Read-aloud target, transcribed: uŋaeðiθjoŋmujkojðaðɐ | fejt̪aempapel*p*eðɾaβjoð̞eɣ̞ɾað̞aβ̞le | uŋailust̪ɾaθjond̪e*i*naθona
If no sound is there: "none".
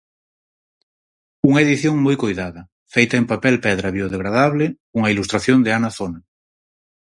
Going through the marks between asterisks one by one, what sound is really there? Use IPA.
p, a

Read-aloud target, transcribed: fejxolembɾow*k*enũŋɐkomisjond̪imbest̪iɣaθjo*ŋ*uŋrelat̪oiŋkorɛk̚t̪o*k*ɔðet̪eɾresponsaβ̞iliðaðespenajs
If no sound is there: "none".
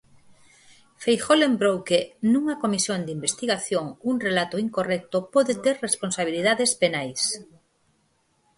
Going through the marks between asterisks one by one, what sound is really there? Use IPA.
k, ŋ, p

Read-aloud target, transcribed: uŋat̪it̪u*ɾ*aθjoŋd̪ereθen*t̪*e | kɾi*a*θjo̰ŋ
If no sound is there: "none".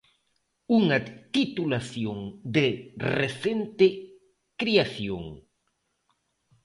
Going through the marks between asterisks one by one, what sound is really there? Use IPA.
l, t̪, a

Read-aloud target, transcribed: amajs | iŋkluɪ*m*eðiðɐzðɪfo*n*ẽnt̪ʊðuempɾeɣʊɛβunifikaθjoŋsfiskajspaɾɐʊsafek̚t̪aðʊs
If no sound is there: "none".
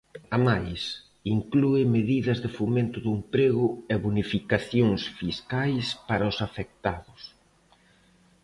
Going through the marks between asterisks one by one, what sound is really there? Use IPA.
m, m

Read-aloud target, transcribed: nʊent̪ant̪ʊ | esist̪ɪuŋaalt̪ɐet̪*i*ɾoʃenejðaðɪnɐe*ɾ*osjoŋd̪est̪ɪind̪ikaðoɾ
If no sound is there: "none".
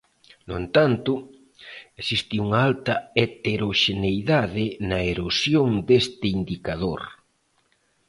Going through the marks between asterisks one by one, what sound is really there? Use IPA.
e, ɾ

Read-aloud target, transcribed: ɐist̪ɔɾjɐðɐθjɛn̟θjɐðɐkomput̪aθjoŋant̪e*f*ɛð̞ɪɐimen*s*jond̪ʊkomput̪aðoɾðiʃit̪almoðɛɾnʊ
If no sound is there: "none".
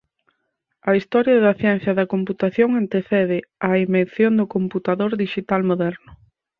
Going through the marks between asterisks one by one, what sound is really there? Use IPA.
θ, θ

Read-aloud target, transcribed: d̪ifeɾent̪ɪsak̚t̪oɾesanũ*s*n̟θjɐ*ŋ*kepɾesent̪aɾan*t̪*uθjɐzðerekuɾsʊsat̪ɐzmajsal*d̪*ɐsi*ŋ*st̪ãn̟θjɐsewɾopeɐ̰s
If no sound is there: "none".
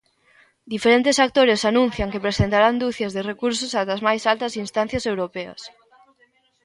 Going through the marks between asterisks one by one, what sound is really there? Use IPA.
none, ŋ, d̪, t̪, n

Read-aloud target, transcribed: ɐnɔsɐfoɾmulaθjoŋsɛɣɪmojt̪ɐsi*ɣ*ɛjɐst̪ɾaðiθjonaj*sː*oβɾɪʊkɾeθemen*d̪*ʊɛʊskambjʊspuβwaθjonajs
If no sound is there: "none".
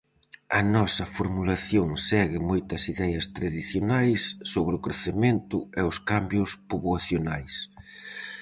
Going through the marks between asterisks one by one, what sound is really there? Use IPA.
ð, sː, t̪

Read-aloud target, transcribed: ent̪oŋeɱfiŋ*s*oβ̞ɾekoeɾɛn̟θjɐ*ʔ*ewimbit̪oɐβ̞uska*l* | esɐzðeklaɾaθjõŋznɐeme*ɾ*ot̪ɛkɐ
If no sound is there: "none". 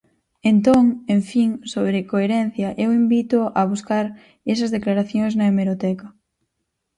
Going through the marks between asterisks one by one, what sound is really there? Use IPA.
s, ʔ, ɾ, ɾ

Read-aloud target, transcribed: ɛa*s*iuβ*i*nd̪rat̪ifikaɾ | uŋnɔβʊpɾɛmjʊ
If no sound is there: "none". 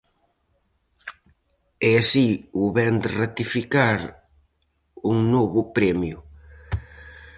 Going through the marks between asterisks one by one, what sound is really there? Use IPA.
s, ɛ

